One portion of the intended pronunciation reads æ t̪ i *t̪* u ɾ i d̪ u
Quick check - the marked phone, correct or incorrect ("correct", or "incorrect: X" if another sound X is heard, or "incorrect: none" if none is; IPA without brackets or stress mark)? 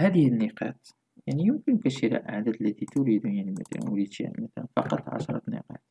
correct